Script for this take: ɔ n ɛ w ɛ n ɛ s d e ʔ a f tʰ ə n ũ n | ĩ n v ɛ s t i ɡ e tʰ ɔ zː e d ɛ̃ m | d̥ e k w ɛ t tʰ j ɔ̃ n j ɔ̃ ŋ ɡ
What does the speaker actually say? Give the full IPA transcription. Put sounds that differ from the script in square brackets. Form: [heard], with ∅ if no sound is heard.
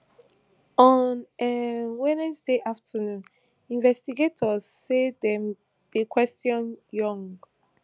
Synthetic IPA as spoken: ɔ n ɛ w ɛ n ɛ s d e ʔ a f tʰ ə n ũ n | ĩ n v ɛ s t i ɡ e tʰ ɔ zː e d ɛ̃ m | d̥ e k w ɛ [s] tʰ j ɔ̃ n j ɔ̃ ŋ ɡ